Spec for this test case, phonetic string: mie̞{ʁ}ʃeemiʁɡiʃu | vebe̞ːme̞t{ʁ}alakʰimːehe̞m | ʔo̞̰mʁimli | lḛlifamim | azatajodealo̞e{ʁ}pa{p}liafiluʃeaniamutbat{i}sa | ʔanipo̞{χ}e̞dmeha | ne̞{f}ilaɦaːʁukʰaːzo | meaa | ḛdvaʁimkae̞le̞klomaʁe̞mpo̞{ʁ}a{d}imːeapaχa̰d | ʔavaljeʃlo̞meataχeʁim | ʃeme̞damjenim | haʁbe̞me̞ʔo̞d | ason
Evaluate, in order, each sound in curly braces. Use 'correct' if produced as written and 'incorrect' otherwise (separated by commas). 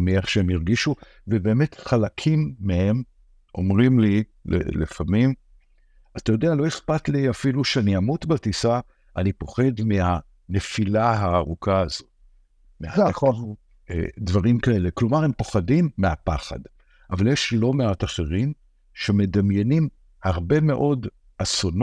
incorrect, incorrect, incorrect, incorrect, correct, correct, correct, incorrect, correct